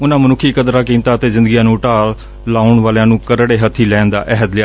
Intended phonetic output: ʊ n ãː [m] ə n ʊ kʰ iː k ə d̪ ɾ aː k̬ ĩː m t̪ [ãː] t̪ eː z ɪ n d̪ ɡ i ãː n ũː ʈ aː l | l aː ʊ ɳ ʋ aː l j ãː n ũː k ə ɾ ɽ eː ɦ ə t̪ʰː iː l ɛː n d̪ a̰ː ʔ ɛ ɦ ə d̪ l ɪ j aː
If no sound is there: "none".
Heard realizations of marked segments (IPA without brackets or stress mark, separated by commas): m, aː